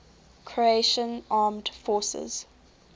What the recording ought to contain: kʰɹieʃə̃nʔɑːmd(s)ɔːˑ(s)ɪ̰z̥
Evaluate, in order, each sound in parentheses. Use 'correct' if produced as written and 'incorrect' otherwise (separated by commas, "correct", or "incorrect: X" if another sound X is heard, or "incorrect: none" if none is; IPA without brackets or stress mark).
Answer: incorrect: f, correct